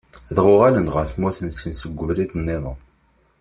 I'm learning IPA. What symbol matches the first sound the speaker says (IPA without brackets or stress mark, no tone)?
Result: ð